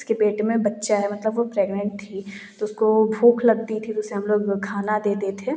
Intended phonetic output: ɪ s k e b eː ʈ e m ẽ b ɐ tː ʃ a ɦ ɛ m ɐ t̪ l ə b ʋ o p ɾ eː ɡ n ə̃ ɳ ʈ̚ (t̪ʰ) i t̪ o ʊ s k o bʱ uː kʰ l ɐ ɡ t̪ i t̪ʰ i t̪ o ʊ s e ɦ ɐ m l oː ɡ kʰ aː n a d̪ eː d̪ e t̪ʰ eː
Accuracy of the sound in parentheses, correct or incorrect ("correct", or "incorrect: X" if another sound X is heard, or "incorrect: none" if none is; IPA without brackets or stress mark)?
correct